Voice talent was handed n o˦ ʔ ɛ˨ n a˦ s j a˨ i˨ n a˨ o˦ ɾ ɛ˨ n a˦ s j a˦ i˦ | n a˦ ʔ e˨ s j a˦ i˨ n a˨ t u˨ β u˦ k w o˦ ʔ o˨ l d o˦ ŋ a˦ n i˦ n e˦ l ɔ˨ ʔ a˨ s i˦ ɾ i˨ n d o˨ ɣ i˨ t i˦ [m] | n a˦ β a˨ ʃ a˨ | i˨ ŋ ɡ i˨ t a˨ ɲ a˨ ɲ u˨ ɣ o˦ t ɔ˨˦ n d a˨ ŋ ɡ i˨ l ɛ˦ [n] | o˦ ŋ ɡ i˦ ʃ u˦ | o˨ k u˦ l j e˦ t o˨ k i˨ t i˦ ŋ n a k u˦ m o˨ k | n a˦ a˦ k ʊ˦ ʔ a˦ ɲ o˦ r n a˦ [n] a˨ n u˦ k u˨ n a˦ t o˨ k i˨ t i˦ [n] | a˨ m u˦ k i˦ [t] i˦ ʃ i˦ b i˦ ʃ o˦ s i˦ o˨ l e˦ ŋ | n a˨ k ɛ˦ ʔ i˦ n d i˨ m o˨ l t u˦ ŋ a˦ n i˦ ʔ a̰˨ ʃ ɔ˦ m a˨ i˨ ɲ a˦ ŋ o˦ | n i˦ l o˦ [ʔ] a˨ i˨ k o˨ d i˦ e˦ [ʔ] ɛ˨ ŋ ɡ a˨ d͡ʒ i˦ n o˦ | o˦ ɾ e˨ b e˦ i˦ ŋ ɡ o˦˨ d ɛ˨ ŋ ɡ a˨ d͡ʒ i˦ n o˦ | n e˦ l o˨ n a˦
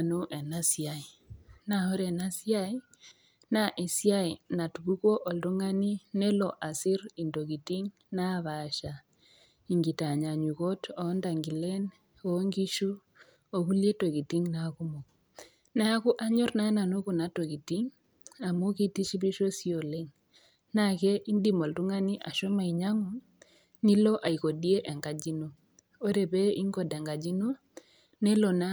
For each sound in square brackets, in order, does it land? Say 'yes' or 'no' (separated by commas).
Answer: no, yes, yes, no, yes, yes, yes